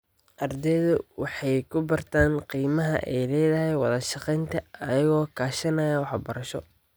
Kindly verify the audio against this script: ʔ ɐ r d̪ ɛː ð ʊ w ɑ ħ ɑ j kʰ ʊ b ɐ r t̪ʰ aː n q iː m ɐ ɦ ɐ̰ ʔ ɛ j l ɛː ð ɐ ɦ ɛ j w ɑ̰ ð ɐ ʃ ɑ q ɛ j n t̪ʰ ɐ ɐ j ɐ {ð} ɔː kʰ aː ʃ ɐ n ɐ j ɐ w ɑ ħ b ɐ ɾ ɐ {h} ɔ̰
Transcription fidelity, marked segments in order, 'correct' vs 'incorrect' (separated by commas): incorrect, incorrect